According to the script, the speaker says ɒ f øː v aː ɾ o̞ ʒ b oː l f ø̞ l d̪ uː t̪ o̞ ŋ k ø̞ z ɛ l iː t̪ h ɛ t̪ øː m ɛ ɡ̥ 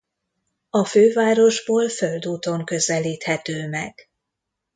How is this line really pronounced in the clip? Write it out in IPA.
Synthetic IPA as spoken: ɒ f øː v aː ɾ o̞ ʒ b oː l f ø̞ l d̪ uː t̪ o̞ ŋ k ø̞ z ɛ l iː t̪ h ɛ t̪ øː m ɛ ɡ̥